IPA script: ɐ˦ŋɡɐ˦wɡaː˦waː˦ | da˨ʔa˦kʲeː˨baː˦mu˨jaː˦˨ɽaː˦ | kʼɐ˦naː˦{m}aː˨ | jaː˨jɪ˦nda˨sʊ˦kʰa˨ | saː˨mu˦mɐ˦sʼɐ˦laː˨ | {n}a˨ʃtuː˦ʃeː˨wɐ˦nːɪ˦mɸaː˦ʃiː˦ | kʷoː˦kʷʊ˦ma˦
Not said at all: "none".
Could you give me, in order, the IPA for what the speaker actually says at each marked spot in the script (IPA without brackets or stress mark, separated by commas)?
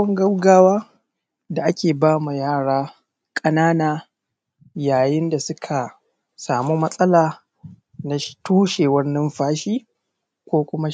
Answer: n, n